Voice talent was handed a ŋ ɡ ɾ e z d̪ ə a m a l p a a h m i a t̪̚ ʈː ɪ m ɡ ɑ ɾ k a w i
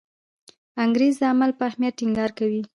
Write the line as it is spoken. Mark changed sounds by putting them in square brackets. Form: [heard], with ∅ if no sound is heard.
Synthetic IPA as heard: a ŋ ɡ ɾ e z d̪ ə a m a l p [ə] a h m [j] a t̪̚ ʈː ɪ [ŋ] ɡ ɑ ɾ k a w i